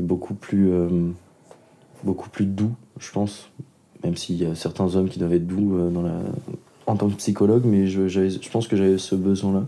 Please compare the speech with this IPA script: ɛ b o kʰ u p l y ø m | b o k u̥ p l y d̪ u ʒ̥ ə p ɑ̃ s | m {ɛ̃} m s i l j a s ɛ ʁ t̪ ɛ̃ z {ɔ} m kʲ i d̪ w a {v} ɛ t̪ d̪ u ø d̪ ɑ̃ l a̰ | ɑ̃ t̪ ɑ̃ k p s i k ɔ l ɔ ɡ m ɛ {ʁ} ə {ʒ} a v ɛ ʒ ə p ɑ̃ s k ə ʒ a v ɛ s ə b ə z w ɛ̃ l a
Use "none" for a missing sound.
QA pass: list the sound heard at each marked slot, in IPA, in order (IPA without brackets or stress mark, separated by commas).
ɛ, ɔ, v, ʒ, ʒ